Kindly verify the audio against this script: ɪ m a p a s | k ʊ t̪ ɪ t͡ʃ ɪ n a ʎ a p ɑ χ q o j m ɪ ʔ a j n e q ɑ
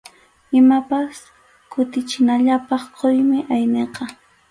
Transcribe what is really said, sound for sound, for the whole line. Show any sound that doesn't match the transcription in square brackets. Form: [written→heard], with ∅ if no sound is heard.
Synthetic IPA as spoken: ɪ m a p a s | k ʊ t̪ ɪ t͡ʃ ɪ n a ʎ a p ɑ χ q o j m ɪ ʔ a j n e q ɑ